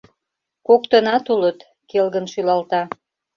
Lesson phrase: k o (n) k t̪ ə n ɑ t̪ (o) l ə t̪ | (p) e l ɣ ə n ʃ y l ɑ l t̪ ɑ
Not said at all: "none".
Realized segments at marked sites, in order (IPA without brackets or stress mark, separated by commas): none, u, k